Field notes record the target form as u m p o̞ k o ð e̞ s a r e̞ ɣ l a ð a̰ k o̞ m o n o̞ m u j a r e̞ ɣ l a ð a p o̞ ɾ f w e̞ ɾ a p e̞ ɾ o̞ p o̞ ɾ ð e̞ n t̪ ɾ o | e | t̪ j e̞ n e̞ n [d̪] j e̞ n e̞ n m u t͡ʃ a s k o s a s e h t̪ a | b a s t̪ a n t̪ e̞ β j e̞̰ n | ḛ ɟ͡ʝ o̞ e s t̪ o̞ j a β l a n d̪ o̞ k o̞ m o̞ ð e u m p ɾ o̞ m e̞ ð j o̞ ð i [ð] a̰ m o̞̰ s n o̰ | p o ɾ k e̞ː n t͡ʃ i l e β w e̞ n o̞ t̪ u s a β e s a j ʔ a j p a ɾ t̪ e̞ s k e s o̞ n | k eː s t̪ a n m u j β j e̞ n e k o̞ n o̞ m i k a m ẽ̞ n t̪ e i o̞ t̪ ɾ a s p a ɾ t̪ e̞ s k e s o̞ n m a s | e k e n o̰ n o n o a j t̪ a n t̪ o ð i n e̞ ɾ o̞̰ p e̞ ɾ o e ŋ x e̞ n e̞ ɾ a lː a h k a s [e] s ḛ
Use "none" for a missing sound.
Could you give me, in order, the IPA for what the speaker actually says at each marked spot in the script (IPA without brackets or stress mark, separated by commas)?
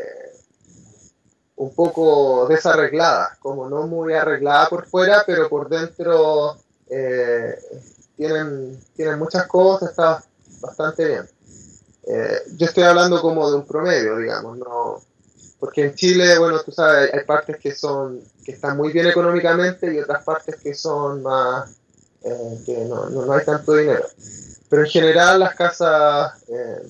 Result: t̪, ɣ, a